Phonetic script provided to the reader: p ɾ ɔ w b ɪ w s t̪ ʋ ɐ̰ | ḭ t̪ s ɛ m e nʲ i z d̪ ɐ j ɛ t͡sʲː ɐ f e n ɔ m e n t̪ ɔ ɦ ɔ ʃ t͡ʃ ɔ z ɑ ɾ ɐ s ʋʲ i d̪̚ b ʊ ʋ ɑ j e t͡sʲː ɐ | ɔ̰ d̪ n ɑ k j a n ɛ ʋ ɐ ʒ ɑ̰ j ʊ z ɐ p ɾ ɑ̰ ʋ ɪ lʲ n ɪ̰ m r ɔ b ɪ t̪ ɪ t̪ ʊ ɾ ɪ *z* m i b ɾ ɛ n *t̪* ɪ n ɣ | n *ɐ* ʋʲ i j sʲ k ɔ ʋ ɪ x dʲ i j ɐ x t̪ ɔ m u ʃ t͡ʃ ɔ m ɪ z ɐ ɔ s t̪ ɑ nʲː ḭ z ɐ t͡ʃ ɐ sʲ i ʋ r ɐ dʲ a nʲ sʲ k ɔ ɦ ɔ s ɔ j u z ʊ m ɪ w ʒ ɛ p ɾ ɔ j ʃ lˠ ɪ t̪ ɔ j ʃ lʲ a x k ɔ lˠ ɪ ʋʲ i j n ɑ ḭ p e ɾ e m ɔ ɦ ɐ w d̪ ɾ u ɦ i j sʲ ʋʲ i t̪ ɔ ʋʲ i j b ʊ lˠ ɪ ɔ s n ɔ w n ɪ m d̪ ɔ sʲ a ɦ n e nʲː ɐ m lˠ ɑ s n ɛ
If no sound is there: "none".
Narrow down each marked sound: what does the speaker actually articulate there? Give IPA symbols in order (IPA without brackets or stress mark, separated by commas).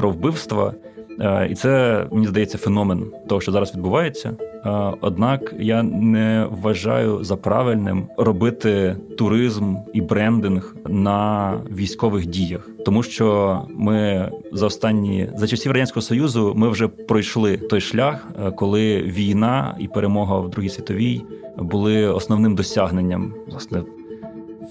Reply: z, d̪, ɐ